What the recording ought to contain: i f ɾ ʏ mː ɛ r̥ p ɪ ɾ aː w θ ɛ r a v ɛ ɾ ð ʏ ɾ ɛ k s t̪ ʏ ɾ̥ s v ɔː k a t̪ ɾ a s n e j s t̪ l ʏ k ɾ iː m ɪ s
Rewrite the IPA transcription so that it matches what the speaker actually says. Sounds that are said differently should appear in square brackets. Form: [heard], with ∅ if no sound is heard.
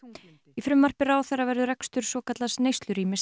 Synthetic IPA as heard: i f ɾ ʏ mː [a] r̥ p ɪ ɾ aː w θ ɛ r a v ɛ ɾ ð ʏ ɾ ɛ k s t̪ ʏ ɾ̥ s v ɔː k a t̪ [l] a s n e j s t̪ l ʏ [∅] ɾ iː m ɪ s